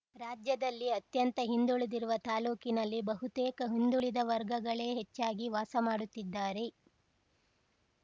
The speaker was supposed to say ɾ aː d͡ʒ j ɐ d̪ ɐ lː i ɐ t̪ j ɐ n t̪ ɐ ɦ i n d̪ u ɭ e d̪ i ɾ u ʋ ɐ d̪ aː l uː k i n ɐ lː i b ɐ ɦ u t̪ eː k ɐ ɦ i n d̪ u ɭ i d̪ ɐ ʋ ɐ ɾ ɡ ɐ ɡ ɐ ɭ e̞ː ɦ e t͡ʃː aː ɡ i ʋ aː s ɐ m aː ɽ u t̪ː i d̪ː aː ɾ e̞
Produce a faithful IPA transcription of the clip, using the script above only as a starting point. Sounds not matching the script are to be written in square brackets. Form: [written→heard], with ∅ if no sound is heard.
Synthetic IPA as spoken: ɾ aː d͡ʒ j ɐ d̪ ɐ lː i ɐ t̪ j ɐ n t̪ ɐ ɦ i n d̪ u ɭ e d̪ i ɾ u ʋ ɐ [d̪→t̪] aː l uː k i n ɐ lː i b ɐ ɦ u t̪ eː k ɐ ɦ i n d̪ u ɭ i d̪ ɐ ʋ ɐ ɾ ɡ ɐ ɡ ɐ ɭ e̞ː ɦ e t͡ʃː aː ɡ i ʋ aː s ɐ m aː ɽ u t̪ː i d̪ː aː ɾ e̞